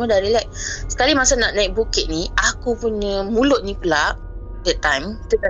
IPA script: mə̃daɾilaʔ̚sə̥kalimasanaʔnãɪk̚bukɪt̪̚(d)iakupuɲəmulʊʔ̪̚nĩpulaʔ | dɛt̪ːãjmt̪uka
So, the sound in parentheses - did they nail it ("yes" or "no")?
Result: no